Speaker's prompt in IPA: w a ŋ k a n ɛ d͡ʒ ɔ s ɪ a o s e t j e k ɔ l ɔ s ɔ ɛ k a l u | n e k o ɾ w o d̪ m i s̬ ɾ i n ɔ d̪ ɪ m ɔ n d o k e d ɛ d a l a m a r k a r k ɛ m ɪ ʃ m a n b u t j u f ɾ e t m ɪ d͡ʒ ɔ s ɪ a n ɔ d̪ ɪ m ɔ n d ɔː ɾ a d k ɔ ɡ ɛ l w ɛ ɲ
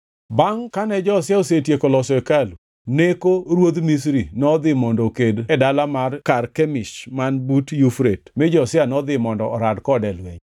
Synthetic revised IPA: b a ŋ k a n ɛ d͡ʒ ɔ s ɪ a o s e t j e k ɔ l ɔ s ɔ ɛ k a l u | n e k o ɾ w o d̪ m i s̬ ɾ i n ɔ d̪ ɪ m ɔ n d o k e d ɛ d a l a m a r k a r k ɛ m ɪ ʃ m a n b u t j u f ɾ e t m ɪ d͡ʒ ɔ s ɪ a n ɔ d̪ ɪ m ɔ n d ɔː ɾ a d k ɔ d ɛ l w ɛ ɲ